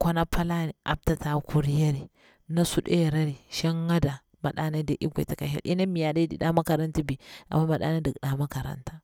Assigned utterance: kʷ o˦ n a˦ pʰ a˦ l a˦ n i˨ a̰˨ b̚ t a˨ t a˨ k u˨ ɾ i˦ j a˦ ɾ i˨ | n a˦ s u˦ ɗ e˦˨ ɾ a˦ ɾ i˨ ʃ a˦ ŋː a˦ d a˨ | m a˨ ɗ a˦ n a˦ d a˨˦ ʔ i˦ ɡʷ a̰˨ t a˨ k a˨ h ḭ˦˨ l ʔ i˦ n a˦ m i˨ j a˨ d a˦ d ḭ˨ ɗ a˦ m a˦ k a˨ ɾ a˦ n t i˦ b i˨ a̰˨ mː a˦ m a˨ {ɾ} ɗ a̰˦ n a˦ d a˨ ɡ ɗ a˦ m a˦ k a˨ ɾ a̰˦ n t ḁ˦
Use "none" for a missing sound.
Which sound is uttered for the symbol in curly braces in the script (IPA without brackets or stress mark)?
none